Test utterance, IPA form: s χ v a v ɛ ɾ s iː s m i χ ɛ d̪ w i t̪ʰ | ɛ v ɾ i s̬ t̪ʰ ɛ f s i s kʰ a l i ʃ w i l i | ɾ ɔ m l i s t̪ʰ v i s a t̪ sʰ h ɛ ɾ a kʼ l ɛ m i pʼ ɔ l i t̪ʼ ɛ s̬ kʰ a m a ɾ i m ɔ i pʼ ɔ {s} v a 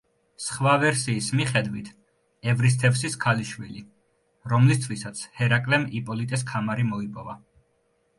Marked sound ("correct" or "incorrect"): incorrect